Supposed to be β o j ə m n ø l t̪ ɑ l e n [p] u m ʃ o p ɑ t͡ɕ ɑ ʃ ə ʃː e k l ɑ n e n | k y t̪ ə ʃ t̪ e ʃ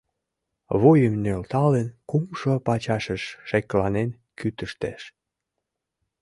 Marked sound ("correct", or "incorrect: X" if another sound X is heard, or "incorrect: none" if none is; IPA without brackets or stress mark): incorrect: k